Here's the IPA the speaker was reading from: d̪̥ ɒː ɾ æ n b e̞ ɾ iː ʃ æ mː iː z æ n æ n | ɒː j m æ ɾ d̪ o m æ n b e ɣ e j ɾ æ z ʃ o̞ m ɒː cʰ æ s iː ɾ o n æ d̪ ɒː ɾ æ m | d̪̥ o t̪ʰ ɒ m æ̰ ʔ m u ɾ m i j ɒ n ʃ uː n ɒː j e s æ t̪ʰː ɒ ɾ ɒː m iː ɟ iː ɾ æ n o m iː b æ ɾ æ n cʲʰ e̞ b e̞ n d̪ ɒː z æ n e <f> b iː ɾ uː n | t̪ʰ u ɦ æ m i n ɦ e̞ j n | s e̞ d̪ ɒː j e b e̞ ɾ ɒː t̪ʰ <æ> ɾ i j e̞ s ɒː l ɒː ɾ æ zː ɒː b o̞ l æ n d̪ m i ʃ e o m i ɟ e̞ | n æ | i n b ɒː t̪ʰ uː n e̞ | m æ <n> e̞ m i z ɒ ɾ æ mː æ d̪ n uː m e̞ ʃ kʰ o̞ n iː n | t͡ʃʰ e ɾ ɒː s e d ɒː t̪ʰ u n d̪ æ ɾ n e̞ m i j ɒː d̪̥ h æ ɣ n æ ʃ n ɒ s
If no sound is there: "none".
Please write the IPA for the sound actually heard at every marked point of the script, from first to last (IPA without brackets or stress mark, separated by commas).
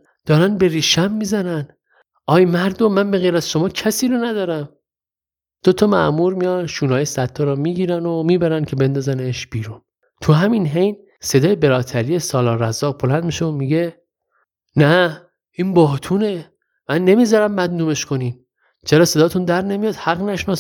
ʃ, æ, nː